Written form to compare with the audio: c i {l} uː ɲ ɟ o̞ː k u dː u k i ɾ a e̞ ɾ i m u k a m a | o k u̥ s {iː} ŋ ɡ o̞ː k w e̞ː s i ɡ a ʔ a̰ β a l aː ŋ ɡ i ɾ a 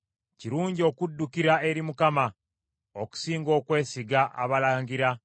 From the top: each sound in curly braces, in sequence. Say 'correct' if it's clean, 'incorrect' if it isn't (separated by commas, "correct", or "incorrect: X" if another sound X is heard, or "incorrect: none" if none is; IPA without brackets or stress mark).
incorrect: ɾ, correct